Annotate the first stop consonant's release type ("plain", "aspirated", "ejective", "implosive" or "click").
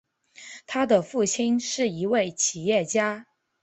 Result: aspirated